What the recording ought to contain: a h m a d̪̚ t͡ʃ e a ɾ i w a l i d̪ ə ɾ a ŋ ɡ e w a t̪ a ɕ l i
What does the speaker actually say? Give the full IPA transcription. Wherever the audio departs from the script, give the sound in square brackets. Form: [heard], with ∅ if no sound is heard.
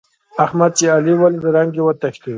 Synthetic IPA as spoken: a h m a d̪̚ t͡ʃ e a [l] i w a l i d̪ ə ɾ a ŋ ɡ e w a t̪ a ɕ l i